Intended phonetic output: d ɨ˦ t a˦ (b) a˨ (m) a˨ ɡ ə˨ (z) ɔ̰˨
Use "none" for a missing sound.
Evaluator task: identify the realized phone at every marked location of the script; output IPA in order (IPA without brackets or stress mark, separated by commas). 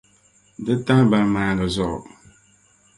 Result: b, m, z